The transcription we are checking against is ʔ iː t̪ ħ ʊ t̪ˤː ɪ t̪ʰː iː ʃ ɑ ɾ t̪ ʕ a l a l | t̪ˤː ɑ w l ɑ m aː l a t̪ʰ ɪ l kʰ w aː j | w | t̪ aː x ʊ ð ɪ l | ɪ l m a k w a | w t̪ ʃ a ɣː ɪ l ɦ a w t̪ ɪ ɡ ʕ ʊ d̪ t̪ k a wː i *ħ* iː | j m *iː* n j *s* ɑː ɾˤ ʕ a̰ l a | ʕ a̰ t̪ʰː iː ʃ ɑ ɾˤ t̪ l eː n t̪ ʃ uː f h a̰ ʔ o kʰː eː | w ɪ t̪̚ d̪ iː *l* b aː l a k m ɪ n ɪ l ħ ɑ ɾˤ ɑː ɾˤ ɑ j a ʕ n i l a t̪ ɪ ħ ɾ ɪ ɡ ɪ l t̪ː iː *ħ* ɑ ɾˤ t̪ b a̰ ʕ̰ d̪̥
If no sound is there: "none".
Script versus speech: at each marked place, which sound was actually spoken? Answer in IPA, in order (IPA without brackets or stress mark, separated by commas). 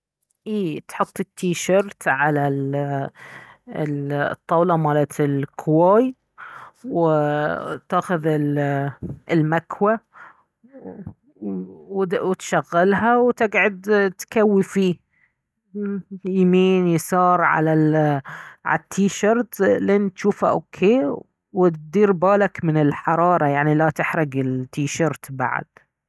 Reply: f, iː, s, ɾ, ʃ